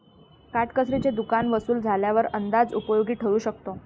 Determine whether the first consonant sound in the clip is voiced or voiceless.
voiceless